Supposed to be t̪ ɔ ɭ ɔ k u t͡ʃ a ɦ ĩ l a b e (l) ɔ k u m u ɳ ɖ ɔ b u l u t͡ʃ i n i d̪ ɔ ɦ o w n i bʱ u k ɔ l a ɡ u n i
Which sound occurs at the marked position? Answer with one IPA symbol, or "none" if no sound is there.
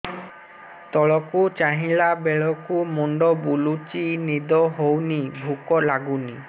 ɭ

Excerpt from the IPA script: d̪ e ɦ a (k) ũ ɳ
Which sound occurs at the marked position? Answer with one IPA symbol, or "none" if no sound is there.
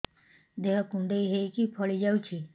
k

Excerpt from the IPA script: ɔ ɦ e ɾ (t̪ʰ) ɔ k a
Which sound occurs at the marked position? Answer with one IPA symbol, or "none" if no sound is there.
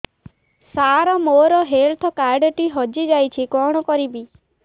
t̪ʰ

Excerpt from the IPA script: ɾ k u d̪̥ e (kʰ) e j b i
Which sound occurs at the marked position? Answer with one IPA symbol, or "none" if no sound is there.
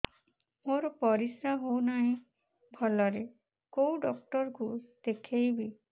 kʰ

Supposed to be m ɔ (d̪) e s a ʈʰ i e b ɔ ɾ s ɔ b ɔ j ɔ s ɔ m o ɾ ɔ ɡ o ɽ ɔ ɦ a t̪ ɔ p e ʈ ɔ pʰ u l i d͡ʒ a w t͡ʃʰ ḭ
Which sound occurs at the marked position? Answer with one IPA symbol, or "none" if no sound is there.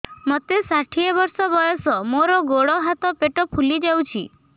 t̪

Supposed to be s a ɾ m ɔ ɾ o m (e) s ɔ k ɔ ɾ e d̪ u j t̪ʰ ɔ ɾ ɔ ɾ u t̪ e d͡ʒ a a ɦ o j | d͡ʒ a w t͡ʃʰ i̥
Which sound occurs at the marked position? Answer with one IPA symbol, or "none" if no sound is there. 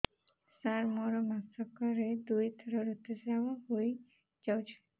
a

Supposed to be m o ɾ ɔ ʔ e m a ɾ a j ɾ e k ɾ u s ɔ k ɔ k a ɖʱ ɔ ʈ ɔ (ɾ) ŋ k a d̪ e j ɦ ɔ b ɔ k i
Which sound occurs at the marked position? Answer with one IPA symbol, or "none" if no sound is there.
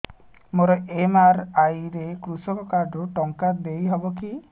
none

